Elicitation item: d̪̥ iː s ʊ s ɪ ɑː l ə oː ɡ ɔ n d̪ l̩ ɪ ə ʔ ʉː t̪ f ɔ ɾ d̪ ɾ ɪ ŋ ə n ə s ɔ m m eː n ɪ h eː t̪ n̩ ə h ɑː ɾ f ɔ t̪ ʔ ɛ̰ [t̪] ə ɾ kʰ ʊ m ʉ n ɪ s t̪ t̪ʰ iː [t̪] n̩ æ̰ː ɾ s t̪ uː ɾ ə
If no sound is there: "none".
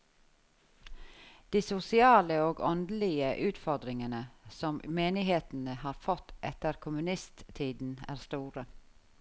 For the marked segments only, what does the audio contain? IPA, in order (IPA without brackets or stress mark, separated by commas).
t̪, d̪